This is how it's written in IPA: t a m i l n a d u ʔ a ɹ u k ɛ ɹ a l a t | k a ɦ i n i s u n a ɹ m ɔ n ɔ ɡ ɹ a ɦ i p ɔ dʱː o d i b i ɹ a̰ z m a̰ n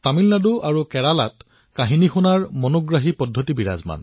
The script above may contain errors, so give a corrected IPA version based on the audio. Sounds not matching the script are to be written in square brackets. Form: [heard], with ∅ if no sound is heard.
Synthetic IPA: t a m i l n a d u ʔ a ɹ u k ɛ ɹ a l a t | k a ɦ i n i [x] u n a ɹ m ɔ n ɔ ɡ ɹ a ɦ i p ɔ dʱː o [t] i b i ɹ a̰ z m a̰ n